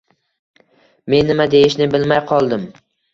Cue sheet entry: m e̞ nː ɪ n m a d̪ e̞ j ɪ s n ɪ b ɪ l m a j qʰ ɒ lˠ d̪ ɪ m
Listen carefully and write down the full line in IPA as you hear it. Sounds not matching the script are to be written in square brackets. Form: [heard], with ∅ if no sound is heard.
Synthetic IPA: m e̞ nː ɪ [∅] m a d̪ e̞ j ɪ [ʃ] n ɪ b ɪ l m a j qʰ ɒ lˠ d̪ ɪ m